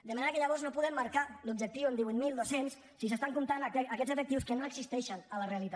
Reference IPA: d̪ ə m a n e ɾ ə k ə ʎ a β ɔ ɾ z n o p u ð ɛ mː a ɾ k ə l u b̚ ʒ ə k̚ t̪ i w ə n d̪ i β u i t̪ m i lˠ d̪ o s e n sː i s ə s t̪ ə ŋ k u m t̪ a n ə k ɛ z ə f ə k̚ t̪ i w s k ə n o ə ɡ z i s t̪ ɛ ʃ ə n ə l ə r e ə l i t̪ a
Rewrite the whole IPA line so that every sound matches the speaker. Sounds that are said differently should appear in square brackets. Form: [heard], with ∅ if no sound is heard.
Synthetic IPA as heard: d̪ ə m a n e ɾ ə k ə ʎ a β ɔ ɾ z n o p u ð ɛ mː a ɾ k [a] l u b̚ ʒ ə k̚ t̪ i w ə n d̪ i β u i t̪ m i lˠ d̪ o s e n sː i s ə s t̪ [a] ŋ k u m t̪ a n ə k ɛ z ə f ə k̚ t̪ i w s k ə n o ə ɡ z i s t̪ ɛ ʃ ə n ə l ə r e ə l i t̪ a